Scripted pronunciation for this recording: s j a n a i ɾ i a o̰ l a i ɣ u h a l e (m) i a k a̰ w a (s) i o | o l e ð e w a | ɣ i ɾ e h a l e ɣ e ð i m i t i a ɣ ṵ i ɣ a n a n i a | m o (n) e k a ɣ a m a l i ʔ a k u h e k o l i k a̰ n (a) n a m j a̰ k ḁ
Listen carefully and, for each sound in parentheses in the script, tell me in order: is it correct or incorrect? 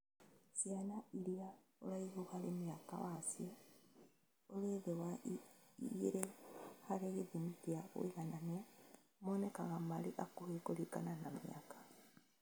correct, correct, correct, correct

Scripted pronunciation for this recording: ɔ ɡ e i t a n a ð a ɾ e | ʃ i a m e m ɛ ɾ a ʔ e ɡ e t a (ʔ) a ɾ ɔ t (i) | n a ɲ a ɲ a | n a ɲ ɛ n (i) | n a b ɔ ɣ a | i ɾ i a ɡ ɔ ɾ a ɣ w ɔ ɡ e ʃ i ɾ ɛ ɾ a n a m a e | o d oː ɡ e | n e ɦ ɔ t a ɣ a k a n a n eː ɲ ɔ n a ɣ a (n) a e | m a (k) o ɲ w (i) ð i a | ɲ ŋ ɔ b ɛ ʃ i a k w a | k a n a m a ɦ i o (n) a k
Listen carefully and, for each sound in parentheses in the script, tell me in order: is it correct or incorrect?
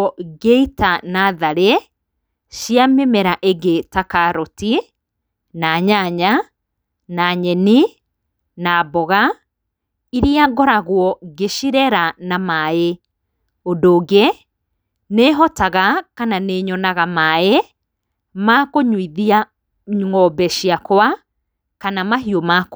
incorrect, correct, correct, incorrect, correct, correct, incorrect

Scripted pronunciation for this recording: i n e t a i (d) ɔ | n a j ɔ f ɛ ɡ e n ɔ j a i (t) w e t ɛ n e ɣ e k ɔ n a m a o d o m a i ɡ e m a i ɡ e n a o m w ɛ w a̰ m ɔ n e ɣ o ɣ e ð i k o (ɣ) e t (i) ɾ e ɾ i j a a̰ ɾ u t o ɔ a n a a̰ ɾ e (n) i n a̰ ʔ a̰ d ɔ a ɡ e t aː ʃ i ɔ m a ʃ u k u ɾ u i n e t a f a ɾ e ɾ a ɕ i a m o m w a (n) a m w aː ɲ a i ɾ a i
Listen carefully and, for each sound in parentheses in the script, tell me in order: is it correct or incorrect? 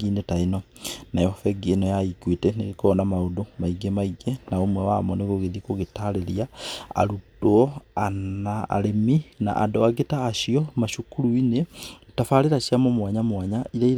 incorrect, incorrect, correct, incorrect, incorrect, incorrect

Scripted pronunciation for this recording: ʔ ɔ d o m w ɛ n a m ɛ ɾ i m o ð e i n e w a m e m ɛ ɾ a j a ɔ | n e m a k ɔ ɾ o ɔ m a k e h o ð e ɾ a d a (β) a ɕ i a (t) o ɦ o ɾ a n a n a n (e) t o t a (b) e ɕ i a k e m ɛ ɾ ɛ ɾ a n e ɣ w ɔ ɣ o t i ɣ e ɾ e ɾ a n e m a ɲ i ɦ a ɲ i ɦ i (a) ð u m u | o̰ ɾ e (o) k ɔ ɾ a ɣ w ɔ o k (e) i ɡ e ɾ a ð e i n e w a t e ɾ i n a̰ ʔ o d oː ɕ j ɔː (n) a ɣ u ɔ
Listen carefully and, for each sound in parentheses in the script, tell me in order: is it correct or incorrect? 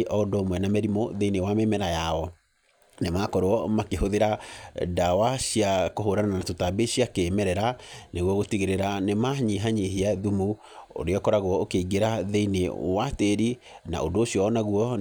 incorrect, incorrect, incorrect, correct, correct, incorrect, correct, correct

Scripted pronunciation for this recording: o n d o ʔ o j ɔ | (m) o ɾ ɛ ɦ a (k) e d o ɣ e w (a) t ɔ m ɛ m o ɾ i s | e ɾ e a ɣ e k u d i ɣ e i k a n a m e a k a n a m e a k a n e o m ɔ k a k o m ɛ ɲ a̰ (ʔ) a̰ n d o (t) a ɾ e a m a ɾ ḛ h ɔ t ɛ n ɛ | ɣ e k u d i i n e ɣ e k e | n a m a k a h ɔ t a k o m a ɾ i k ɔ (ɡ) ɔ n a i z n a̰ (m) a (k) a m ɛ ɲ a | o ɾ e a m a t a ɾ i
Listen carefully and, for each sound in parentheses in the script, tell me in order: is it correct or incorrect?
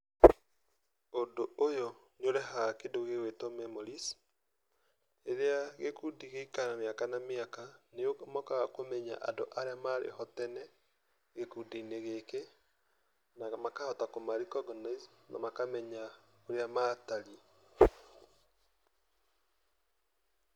incorrect, correct, incorrect, correct, incorrect, correct, correct, correct

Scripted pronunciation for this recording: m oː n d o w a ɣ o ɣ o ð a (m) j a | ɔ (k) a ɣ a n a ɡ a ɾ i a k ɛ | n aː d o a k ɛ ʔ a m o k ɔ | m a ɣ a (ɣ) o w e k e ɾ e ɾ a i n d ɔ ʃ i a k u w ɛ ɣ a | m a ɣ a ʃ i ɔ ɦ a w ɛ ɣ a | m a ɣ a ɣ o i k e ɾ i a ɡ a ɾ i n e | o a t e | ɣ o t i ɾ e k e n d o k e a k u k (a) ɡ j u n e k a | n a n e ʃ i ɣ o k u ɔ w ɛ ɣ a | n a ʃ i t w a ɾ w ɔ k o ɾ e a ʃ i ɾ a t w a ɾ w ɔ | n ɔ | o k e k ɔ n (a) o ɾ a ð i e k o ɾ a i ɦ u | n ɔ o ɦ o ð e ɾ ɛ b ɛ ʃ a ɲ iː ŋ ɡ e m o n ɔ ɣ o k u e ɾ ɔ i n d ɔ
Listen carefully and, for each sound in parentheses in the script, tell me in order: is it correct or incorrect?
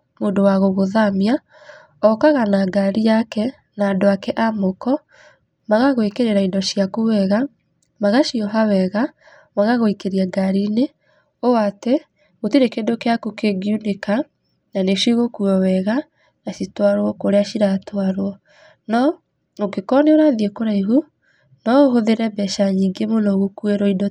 correct, correct, correct, incorrect, incorrect

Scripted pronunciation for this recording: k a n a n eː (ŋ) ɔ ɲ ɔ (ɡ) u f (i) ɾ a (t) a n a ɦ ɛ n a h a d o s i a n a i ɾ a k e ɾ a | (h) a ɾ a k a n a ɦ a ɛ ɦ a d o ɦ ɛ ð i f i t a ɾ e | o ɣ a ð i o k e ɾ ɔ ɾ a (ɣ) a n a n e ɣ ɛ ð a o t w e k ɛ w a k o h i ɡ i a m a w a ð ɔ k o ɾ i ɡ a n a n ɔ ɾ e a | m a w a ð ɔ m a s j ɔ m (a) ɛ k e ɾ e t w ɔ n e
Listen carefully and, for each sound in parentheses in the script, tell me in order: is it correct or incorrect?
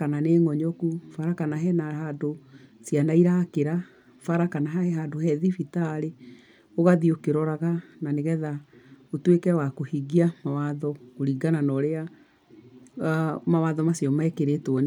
correct, incorrect, incorrect, incorrect, incorrect, correct, correct

